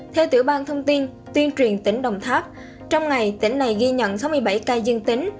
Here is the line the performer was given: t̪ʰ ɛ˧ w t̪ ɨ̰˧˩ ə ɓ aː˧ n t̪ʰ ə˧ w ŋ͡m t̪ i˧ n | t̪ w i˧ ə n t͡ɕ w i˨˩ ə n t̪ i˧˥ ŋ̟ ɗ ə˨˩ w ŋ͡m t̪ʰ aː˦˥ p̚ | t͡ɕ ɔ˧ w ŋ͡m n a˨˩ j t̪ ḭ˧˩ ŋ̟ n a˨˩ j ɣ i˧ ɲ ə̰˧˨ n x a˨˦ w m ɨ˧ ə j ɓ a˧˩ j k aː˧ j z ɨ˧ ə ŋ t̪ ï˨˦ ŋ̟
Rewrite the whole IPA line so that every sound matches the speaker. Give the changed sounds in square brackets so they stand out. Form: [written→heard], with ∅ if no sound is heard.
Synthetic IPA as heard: t̪ʰ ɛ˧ w t̪ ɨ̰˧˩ ə ɓ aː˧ n t̪ʰ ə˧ w ŋ͡m t̪ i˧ n | t̪ w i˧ ə n t͡ɕ w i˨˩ ə n t̪ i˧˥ ŋ̟ ɗ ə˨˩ w ŋ͡m t̪ʰ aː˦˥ p̚ | t͡ɕ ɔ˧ w ŋ͡m [n→ŋ] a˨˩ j t̪ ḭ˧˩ ŋ̟ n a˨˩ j ɣ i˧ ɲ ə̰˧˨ n [x→s] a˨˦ w m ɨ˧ ə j ɓ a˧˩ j k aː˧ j z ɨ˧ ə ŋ t̪ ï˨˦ ŋ̟

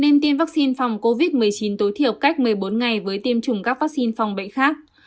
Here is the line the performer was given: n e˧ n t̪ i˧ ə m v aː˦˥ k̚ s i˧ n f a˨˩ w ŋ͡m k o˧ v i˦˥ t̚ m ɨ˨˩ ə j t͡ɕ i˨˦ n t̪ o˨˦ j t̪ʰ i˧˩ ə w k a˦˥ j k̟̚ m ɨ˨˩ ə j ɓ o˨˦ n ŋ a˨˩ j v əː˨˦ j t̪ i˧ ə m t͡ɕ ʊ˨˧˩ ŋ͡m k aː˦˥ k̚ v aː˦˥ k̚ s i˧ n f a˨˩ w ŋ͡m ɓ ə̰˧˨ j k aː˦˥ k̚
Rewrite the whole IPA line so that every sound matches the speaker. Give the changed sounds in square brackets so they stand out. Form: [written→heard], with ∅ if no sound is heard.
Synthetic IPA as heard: n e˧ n t̪ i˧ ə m v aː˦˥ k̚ s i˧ n f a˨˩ w ŋ͡m k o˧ v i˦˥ t̚ m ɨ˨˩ ə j t͡ɕ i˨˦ n t̪ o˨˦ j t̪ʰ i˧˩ ə w k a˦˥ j k̟̚ m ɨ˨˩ ə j ɓ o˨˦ n ŋ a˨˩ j v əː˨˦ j t̪ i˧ ə m t͡ɕ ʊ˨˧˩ ŋ͡m k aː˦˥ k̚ v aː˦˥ k̚ s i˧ n f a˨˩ w ŋ͡m ɓ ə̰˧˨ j [k→x] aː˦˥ k̚

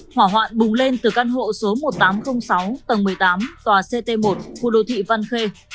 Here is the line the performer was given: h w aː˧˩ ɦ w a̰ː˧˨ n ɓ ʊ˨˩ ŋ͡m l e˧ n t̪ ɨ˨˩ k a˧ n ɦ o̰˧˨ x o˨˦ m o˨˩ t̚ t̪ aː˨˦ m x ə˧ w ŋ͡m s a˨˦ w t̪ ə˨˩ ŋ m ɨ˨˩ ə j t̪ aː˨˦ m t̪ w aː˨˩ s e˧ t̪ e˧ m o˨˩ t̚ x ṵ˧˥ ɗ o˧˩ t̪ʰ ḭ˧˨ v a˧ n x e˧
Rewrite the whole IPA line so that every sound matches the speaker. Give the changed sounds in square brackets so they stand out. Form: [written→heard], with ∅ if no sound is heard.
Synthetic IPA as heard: h w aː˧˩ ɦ w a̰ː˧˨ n ɓ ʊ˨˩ ŋ͡m l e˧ n t̪ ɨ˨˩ k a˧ n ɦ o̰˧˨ [x→s] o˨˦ m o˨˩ t̚ t̪ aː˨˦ m x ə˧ w ŋ͡m s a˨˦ w t̪ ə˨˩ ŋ m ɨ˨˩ ə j t̪ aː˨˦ m t̪ w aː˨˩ s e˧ t̪ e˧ m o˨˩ t̚ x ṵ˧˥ ɗ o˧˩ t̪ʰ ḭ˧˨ v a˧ n x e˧

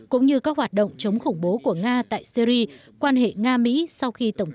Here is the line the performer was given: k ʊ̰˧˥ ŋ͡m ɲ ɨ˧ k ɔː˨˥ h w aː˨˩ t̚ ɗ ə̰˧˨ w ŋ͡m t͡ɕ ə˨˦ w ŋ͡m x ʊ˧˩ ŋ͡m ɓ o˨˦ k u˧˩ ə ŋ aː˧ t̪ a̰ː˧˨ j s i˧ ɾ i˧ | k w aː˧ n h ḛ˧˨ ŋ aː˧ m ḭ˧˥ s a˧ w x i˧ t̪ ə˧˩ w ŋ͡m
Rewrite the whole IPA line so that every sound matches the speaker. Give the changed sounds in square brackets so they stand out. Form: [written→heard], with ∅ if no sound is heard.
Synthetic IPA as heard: k ʊ̰˧˥ ŋ͡m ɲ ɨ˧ k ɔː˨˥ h w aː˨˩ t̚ ɗ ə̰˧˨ w ŋ͡m t͡ɕ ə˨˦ w ŋ͡m x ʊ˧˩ ŋ͡m ɓ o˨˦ k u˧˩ ə ŋ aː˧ t̪ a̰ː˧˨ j s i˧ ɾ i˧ | k w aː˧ n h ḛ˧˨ ŋ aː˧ m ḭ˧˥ s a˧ w x i˧ t̪ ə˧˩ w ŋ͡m

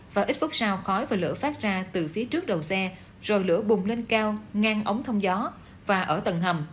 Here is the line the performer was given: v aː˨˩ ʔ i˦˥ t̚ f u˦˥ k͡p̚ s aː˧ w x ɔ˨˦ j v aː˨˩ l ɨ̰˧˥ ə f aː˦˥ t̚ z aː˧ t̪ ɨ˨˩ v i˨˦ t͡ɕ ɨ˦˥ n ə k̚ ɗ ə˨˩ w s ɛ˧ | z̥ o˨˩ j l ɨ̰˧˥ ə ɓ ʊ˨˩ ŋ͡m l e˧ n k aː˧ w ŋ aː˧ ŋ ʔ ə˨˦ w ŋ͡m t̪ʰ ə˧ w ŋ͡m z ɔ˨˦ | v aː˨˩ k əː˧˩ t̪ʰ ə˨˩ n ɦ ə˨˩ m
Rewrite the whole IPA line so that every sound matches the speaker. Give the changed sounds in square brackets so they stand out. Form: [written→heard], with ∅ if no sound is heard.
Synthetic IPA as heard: v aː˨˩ ʔ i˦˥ t̚ f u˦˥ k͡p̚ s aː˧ w x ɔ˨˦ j v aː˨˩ l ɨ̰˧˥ ə f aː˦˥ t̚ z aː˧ t̪ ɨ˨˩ [v→f] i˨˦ t͡ɕ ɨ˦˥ [n→∅] ə k̚ ɗ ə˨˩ w s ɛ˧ | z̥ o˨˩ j l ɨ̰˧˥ ə ɓ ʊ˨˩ ŋ͡m l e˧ n k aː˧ w ŋ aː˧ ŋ ʔ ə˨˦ w ŋ͡m t̪ʰ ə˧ w ŋ͡m z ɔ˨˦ | v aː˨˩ [k→ʔ] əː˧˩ [t̪ʰ→t̪] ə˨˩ n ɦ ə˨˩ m

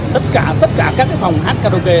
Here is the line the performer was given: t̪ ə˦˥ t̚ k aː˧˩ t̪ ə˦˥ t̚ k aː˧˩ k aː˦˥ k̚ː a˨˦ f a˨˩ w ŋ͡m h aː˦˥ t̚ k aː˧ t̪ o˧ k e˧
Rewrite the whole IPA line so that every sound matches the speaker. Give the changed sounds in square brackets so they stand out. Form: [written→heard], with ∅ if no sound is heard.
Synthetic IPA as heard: t̪ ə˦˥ t̚ k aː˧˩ t̪ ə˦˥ t̚ k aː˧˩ k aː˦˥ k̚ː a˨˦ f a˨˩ w ŋ͡m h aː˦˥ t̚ k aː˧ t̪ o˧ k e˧

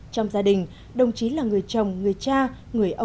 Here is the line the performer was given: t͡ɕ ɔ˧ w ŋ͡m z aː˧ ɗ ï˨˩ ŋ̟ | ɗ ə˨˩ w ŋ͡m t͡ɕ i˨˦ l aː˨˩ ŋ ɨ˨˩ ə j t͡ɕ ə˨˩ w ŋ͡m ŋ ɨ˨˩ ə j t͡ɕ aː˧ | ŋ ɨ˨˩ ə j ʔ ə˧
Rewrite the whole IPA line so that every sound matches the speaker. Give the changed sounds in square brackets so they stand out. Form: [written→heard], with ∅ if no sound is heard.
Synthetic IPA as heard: t͡ɕ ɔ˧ w ŋ͡m z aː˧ ɗ ï˨˩ ŋ̟ | ɗ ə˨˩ w ŋ͡m t͡ɕ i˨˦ l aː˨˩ ŋ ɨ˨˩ ə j t͡ɕ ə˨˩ w ŋ͡m ŋ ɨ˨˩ ə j t͡ɕ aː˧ | ŋ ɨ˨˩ ə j ʔ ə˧

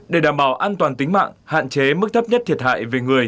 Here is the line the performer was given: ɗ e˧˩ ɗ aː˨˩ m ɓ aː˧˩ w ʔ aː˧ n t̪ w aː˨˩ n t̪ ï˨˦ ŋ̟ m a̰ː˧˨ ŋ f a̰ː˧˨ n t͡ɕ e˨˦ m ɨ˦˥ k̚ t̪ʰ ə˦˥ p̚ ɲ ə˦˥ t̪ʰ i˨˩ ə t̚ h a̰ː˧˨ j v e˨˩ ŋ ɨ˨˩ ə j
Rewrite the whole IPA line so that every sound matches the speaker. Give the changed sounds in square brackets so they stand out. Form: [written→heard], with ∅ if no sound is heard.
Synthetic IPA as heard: ɗ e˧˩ ɗ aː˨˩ m ɓ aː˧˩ w ʔ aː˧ n t̪ w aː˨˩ n t̪ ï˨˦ ŋ̟ m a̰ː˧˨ ŋ [f→h] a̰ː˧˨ n t͡ɕ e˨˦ m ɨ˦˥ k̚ t̪ʰ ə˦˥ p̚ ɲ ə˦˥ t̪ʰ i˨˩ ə t̚ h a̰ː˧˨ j v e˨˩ ŋ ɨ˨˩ ə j

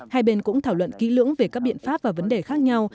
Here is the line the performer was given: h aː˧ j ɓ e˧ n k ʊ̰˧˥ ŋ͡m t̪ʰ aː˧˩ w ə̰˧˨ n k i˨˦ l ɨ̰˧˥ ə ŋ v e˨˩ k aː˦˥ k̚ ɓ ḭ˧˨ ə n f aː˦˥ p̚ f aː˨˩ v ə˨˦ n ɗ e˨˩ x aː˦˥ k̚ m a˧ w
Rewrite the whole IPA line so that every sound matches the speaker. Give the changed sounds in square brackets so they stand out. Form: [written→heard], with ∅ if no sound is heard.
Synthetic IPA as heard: h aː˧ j ɓ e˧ n k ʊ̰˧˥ ŋ͡m t̪ʰ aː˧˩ w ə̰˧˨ n k i˨˦ l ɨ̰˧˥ ə ŋ v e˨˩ k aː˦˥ k̚ ɓ ḭ˧˨ ə n f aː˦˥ p̚ [f→v] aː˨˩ v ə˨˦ n ɗ e˨˩ x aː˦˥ k̚ [m→ɲ] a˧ w

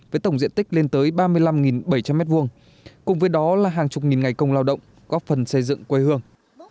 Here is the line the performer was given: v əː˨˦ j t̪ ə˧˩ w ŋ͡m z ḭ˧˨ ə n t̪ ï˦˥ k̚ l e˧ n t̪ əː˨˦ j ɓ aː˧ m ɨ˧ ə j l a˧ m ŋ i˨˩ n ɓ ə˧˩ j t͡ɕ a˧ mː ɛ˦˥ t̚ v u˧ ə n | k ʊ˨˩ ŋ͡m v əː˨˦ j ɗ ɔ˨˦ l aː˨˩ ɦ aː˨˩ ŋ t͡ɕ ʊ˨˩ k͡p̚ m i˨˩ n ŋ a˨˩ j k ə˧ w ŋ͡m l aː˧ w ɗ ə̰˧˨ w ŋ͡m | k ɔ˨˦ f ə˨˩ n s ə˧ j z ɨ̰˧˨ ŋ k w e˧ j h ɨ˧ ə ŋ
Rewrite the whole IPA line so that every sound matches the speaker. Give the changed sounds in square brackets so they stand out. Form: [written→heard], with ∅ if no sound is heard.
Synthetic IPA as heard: v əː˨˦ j t̪ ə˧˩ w ŋ͡m z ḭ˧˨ ə n t̪ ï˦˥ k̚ l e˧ n t̪ əː˨˦ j ɓ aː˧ m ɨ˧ ə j l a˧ m ŋ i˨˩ n ɓ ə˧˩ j t͡ɕ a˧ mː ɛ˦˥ t̚ v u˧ ə [n→ŋ] | k ʊ˨˩ ŋ͡m v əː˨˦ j ɗ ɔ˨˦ l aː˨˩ ɦ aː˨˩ ŋ t͡ɕ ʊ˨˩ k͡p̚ [m→ŋ] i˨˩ n ŋ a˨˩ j k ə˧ w ŋ͡m l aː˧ w ɗ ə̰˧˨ w ŋ͡m | k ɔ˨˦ f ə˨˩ n s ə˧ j z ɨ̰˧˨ ŋ k w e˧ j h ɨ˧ ə ŋ

